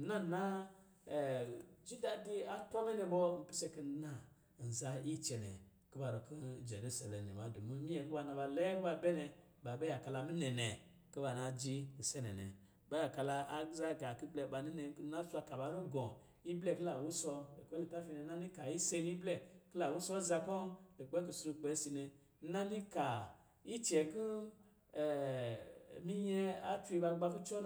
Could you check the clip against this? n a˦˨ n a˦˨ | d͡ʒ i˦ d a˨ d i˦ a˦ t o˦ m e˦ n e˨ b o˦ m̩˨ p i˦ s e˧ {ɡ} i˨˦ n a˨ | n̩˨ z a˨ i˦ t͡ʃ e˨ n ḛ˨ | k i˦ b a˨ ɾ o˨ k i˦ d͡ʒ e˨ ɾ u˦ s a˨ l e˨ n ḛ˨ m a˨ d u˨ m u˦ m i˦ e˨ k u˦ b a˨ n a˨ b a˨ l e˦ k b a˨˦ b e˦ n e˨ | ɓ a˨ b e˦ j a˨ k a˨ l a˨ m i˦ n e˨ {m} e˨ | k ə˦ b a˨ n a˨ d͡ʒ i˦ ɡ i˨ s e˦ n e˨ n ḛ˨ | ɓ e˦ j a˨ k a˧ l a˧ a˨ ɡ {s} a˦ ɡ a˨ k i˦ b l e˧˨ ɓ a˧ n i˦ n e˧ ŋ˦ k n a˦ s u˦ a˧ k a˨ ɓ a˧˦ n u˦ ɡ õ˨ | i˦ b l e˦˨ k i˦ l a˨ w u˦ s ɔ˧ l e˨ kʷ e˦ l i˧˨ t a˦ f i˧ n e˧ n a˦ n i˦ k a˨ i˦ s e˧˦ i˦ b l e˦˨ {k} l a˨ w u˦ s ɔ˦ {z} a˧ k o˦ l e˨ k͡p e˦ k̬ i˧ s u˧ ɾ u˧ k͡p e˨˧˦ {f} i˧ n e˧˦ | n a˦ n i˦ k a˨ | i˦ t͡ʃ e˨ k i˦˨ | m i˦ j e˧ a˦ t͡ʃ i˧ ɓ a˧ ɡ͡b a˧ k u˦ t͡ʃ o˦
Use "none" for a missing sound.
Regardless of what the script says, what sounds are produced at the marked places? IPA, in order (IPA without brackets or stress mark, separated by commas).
k, n, z, k, z, s